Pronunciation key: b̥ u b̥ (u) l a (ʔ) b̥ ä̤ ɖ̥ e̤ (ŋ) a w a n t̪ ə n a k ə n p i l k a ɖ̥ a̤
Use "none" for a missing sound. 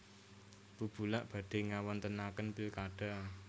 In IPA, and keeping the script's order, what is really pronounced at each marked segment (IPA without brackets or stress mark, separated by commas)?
u, ʔ, ŋ